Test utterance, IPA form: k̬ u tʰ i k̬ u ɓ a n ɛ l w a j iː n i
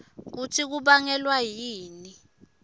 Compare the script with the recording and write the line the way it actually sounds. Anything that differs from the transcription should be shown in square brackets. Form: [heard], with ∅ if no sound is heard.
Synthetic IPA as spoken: k̬ u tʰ i k̬ u ɓ a [ŋ] ɛ l w a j iː n i